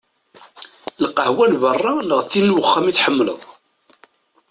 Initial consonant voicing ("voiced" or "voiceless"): voiced